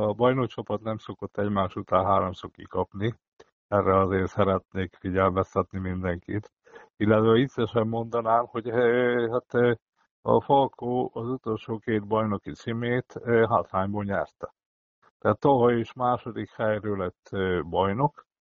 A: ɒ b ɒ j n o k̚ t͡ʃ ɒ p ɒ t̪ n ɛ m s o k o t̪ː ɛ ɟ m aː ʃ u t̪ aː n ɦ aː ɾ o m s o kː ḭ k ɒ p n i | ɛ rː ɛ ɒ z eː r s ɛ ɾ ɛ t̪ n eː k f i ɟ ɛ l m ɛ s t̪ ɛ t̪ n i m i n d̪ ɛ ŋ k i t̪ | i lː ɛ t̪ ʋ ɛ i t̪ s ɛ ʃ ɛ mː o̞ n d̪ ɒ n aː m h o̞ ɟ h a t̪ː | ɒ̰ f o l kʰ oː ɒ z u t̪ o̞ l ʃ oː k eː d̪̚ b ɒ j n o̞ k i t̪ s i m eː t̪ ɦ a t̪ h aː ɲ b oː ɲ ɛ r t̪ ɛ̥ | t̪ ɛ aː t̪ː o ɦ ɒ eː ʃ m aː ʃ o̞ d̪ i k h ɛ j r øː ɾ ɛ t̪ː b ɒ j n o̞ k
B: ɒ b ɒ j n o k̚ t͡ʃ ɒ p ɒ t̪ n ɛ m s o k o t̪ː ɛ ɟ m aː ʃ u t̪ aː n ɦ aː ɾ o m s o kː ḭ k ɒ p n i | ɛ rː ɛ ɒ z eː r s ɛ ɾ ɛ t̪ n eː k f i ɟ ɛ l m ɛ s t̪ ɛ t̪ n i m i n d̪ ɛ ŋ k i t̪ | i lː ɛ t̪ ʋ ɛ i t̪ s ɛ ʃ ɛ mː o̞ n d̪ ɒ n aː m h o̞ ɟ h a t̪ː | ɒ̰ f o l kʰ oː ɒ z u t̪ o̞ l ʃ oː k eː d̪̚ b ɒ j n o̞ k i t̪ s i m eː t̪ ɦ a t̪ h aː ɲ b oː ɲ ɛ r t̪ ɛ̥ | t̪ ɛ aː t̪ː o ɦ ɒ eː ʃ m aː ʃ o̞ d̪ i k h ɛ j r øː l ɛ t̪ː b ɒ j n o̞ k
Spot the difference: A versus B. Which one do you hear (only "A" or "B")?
B